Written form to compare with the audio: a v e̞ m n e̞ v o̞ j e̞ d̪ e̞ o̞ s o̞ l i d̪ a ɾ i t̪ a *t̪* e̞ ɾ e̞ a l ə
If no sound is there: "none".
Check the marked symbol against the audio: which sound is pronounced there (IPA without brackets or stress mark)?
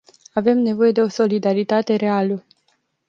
t̪